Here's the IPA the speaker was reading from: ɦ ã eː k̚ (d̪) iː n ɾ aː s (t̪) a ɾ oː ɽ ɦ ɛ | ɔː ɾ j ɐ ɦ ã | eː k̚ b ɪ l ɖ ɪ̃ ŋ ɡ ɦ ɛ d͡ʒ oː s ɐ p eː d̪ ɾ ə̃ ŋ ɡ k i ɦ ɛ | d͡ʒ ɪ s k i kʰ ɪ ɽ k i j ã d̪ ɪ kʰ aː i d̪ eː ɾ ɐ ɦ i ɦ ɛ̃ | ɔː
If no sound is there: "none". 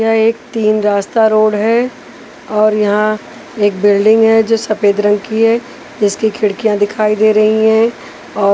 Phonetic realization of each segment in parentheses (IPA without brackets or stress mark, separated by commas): t̪, t̪